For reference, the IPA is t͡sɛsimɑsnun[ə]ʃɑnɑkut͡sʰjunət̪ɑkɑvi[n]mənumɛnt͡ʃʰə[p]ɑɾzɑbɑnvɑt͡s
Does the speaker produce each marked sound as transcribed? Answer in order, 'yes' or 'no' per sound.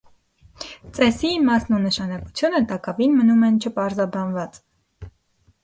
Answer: yes, yes, yes

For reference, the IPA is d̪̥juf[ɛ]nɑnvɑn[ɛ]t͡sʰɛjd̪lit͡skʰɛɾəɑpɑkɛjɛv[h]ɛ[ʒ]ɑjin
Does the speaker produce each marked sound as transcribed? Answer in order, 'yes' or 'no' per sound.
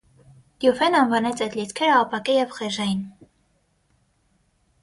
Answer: yes, yes, no, yes

